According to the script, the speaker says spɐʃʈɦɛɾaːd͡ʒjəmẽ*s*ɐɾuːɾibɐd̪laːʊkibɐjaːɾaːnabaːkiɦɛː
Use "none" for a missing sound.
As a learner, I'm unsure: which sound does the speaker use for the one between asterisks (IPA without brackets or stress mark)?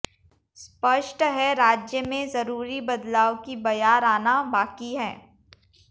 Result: z